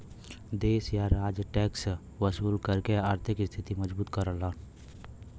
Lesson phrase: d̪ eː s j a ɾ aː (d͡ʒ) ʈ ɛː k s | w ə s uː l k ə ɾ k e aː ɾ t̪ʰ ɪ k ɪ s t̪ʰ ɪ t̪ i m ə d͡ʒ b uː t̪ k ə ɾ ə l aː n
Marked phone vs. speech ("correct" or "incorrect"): correct